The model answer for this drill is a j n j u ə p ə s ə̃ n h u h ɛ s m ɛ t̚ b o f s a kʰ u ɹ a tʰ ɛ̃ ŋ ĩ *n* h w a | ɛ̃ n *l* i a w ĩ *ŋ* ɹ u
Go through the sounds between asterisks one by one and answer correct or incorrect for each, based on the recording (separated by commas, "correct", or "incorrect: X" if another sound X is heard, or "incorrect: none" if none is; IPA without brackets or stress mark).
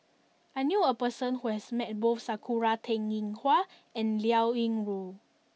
incorrect: ŋ, correct, correct